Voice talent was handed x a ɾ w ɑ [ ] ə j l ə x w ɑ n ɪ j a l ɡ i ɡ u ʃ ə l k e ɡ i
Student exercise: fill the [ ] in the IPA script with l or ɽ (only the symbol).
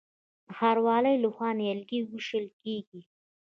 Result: l